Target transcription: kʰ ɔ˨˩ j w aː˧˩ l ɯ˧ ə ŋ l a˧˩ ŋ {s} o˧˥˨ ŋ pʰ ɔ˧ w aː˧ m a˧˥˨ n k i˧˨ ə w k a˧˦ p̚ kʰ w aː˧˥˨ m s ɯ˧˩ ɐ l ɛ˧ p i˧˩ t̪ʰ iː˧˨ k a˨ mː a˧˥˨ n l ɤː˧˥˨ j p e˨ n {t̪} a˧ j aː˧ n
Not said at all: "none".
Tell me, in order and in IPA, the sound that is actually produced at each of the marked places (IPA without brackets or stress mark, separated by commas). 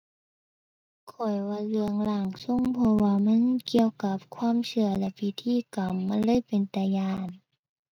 s, t̪